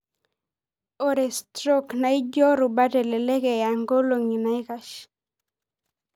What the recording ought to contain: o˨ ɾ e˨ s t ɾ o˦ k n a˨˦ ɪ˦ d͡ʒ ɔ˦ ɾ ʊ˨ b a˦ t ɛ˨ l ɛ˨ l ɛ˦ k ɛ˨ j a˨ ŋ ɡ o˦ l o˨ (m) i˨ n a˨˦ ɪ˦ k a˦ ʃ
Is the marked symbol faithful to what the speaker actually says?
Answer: no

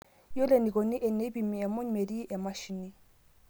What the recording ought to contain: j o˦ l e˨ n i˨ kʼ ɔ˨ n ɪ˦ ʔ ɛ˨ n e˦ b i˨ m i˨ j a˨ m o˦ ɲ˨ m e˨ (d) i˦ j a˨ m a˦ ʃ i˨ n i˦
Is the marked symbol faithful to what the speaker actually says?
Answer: yes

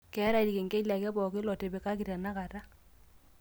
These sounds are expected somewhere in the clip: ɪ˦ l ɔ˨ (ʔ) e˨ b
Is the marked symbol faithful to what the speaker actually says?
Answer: no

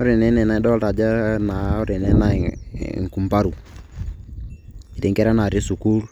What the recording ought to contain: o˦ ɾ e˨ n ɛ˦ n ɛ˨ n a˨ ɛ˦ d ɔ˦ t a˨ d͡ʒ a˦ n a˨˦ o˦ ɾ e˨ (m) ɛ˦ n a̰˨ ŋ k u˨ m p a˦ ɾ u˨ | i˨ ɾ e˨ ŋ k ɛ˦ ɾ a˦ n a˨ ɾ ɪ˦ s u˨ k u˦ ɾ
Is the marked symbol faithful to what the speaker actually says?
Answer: no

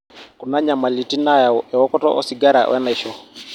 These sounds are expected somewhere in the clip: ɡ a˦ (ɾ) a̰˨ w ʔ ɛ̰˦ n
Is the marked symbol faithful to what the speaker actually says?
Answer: yes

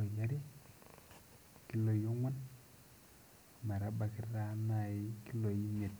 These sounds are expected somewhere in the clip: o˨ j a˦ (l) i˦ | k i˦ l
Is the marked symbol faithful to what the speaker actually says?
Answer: no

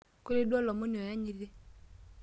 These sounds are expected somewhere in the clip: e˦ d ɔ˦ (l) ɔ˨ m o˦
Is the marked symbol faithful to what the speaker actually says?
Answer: yes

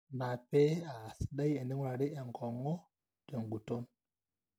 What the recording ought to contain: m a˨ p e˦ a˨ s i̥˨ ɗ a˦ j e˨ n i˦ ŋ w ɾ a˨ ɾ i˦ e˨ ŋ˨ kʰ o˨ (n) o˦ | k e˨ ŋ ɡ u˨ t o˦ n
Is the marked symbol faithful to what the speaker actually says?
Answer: no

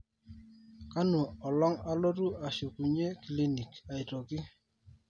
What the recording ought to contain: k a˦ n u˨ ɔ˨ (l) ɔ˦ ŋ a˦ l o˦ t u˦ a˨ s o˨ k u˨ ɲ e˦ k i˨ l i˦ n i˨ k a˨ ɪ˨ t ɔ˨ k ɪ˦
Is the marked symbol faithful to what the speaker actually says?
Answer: yes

